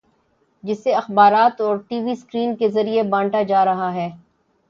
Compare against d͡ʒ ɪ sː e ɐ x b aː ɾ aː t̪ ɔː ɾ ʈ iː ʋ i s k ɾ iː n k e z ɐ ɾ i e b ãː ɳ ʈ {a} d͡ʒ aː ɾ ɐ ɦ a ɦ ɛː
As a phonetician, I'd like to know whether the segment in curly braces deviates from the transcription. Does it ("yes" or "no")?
no